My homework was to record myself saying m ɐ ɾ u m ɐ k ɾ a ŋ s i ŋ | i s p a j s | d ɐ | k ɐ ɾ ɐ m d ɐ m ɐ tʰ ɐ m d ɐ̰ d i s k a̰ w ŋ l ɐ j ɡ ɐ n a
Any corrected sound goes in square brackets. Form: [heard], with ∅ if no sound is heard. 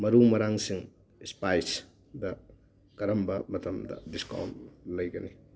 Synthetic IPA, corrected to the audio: m ɐ ɾ u m ɐ [∅] ɾ a ŋ s i ŋ | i s p a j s | d ɐ | k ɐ ɾ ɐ m [b] ɐ m ɐ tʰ ɐ m d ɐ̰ d i s k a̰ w [n] l ɐ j ɡ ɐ n [i]